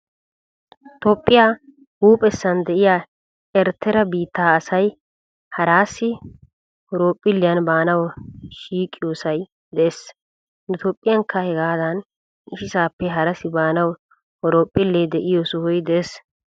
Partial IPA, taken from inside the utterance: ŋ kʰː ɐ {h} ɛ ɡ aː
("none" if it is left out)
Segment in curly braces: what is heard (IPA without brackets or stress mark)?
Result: h